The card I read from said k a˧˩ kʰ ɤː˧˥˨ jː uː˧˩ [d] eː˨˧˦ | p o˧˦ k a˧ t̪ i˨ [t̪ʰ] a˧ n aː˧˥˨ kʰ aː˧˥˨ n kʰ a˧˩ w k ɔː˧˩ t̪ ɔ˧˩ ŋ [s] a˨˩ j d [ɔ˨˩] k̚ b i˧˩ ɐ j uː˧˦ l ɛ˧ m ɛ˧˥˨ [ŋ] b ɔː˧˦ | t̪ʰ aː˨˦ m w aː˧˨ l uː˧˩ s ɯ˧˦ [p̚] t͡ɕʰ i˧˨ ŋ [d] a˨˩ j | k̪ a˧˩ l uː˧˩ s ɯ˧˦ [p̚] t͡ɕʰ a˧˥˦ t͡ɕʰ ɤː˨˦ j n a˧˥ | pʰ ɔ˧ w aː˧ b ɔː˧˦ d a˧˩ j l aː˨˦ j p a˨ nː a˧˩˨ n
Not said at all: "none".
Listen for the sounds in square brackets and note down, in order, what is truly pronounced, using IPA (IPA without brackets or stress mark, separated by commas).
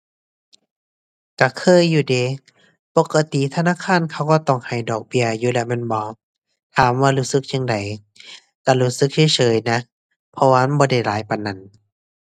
d, t̪ʰ, h, ɔː˨˩, n, k̚, d, k̚